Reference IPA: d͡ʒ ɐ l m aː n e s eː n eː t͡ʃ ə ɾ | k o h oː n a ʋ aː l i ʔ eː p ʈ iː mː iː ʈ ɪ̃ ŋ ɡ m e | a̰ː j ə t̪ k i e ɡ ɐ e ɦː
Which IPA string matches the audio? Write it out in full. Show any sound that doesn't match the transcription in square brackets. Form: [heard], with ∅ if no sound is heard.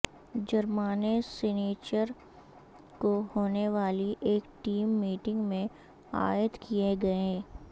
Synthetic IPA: d͡ʒ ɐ [ɾ] m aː n e s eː n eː t͡ʃ ə ɾ | k o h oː n [e] ʋ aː l i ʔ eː [k] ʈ iː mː iː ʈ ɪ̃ ŋ ɡ m [ẽ] | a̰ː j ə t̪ k i e ɡ ɐ e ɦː